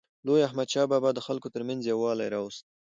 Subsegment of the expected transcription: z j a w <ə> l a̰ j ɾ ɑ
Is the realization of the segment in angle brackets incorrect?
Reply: yes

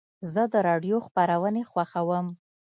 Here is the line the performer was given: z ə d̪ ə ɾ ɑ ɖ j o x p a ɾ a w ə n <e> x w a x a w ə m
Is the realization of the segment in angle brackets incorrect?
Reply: no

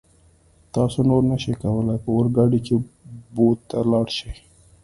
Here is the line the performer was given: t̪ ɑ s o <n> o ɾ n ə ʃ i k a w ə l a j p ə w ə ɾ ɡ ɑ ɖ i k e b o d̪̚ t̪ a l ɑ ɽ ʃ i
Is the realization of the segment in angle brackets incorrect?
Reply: no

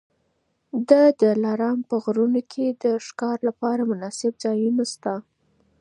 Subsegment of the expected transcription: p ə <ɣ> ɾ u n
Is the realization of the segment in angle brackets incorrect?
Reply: no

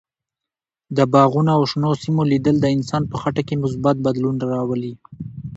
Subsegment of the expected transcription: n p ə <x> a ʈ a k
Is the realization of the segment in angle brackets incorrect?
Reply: no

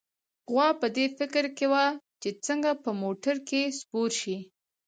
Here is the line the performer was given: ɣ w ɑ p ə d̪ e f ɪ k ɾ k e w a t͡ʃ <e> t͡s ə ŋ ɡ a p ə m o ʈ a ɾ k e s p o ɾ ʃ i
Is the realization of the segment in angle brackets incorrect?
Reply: no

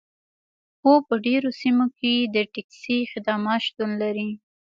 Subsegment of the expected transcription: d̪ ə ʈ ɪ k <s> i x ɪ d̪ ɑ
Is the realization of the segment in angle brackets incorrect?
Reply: no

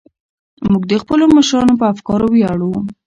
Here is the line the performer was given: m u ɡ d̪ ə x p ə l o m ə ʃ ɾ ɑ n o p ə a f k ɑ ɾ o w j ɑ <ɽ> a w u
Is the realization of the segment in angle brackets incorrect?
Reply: no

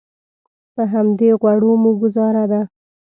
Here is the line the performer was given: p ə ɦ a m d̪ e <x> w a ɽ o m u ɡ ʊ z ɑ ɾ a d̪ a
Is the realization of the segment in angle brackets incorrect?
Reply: yes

